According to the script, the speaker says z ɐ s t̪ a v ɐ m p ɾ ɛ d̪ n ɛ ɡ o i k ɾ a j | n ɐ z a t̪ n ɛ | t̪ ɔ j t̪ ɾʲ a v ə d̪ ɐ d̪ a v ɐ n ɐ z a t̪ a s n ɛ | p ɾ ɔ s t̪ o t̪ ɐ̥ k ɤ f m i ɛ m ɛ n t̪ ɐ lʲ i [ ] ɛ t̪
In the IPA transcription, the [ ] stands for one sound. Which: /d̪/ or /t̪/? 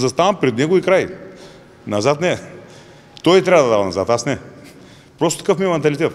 t̪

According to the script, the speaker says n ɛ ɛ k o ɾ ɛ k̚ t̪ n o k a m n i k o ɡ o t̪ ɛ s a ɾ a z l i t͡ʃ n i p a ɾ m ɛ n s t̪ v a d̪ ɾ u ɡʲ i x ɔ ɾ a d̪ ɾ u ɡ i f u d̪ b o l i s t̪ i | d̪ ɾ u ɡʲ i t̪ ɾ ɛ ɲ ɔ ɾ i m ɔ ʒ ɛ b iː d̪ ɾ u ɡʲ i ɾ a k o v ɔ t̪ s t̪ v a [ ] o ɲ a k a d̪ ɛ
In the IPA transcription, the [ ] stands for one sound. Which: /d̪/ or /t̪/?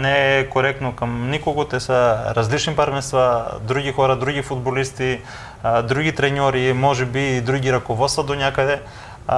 d̪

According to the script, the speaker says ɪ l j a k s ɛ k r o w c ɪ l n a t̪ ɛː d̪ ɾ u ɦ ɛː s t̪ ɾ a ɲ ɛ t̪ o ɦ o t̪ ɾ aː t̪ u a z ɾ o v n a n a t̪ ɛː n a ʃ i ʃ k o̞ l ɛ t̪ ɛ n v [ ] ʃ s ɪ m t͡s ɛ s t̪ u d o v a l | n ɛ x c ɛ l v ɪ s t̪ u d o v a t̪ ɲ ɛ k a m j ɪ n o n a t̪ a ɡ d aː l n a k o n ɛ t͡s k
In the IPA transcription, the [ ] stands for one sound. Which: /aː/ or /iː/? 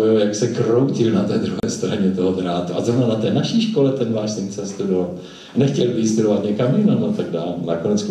aː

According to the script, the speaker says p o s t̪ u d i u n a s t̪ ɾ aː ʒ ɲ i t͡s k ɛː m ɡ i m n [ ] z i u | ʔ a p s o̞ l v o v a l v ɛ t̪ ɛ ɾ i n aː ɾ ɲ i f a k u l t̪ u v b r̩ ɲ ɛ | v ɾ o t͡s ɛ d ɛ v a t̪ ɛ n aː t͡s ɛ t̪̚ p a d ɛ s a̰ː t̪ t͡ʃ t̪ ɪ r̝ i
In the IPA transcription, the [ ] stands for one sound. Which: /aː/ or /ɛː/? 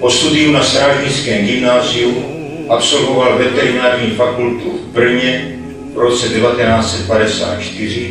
aː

